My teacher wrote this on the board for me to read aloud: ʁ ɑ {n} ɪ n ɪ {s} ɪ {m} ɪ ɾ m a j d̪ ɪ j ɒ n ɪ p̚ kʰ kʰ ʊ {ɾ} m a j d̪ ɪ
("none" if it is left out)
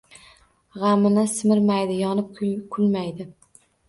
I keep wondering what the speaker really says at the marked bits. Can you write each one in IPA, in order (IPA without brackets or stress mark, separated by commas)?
m, s, m, l